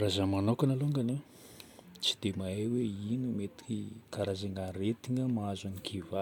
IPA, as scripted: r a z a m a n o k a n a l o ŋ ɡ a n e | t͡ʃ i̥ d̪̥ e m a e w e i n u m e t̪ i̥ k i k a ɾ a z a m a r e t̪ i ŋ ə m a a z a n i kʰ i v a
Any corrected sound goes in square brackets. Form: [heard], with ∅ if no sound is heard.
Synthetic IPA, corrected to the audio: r a z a m a n o k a n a l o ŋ ɡ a n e | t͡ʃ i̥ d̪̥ e m a e w e i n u m e t̪ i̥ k i k a ɾ a z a [ŋ] a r e t̪ i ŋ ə m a a z a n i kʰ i v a

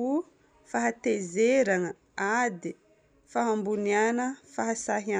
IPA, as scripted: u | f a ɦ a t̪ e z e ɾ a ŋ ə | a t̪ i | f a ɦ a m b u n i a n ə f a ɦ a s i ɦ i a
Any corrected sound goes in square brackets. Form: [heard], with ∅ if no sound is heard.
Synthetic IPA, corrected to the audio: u | f a ɦ a t̪ e z e ɾ a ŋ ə | a [d̪] i | f a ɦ a m b u n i a n ə f a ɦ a s [a] ɦ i a

